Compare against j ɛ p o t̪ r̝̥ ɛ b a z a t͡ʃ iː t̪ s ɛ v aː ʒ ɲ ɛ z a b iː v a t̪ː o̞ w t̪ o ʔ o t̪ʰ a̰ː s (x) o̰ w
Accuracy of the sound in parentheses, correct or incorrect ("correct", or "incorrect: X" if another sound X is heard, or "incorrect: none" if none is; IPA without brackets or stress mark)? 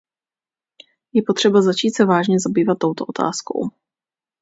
incorrect: k